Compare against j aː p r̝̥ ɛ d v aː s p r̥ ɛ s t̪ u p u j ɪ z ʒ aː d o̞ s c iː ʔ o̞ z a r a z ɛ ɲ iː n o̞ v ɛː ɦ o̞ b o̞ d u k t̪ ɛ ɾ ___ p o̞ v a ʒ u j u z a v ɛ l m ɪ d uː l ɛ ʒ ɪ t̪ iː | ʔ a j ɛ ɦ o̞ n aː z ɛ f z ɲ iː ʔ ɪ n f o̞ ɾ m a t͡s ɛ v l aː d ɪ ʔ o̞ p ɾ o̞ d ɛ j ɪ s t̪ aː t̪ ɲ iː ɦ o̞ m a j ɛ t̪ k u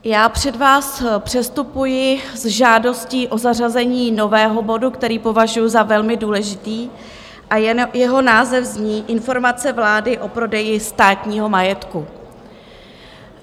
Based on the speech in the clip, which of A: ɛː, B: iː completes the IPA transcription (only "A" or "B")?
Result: B